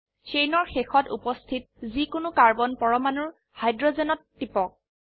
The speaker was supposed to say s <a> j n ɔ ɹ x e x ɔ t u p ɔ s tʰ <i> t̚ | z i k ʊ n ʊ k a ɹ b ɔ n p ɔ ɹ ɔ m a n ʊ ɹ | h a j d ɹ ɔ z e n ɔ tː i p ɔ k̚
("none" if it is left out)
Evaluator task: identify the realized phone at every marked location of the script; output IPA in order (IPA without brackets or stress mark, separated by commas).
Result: e, i